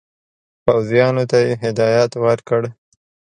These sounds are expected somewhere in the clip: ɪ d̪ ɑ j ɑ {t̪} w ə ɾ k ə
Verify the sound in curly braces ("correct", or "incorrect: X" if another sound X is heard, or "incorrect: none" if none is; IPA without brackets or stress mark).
correct